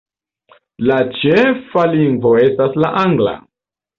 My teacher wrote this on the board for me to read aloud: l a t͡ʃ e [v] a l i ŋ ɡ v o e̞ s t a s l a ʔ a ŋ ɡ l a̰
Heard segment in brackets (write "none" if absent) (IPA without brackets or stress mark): f